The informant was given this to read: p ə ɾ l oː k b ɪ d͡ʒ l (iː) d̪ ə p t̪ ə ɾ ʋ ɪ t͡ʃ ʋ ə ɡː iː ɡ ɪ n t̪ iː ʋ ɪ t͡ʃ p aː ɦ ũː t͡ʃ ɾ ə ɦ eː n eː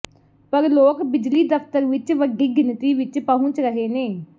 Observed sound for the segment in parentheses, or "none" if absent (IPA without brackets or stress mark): iː